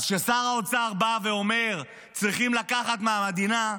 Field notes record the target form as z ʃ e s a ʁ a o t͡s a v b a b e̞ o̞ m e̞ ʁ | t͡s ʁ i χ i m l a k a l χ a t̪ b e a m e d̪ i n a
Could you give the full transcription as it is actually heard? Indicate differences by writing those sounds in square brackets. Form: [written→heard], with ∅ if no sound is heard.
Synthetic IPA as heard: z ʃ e s a ʁ a o t͡s a [v→ʁ] b a [b→v] e̞ o̞ m e̞ ʁ | t͡s ʁ i χ i m l a k a [l→∅] χ a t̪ [b→m] e a m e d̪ i n a